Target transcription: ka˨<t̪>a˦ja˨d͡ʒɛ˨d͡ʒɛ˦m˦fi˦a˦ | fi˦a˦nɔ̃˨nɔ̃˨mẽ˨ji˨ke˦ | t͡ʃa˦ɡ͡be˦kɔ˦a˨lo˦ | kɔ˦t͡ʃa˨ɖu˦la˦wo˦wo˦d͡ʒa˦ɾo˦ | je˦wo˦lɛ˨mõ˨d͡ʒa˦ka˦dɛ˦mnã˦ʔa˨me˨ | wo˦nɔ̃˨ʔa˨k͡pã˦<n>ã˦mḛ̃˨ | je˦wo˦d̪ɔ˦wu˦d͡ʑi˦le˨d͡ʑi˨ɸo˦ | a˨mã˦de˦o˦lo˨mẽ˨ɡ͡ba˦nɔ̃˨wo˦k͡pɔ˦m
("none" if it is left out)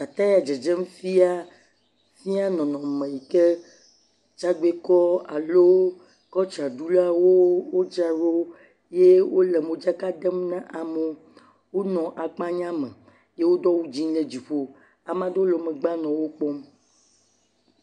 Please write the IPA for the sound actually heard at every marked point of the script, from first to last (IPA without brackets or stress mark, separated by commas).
t̪, ɲ